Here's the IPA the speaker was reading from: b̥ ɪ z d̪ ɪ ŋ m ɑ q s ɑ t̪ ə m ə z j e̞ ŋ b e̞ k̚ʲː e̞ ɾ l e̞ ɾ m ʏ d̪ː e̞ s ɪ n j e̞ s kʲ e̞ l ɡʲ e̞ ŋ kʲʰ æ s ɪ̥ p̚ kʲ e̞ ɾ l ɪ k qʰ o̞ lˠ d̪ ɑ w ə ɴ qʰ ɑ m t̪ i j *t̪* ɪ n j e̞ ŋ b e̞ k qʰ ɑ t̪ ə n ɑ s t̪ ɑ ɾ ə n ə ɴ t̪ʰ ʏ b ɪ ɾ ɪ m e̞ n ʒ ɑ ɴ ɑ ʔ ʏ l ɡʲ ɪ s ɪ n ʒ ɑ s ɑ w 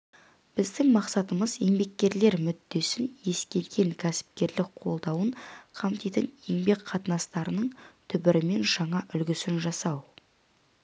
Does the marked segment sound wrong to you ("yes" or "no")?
no